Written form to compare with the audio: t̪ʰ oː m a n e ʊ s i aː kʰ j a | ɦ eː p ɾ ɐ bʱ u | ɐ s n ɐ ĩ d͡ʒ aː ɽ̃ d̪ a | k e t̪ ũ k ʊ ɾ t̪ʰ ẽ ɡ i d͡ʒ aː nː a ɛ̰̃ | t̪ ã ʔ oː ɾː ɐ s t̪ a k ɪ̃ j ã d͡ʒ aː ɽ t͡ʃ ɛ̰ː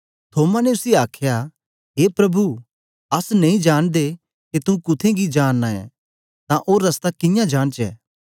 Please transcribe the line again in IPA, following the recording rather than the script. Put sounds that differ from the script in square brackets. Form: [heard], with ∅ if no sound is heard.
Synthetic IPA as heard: t̪ʰ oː m a n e ʊ s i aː kʰ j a | ɦ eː p ɾ ɐ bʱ u | ɐ s n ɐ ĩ d͡ʒ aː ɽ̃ d̪ [e] | k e t̪ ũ k ʊ [∅] t̪ʰ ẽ ɡ i d͡ʒ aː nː a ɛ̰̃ | t̪ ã ʔ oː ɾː ɐ s t̪ a k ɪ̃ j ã d͡ʒ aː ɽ t͡ʃ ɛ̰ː